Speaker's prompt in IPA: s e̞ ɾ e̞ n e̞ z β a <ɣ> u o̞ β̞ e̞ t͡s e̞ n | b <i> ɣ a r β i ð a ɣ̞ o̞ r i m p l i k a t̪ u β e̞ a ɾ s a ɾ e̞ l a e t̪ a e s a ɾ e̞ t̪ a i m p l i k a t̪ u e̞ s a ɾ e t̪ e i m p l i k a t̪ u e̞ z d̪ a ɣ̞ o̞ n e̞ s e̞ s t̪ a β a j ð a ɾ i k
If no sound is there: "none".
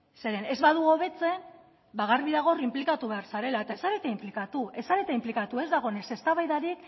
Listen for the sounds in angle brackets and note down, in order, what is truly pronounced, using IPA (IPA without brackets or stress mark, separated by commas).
ð, a